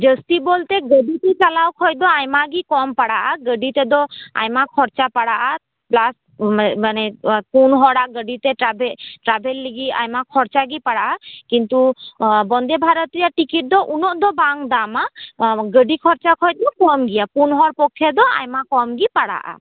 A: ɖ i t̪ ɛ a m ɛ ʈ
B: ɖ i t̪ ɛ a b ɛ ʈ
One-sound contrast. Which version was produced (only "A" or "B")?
B